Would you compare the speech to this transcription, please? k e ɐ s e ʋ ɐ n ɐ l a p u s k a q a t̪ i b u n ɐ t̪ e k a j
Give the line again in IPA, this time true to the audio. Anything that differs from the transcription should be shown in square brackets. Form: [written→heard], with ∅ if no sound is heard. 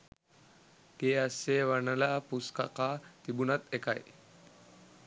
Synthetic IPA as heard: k e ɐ s e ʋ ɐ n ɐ l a p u s k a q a t̪ i b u n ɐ t̪ e k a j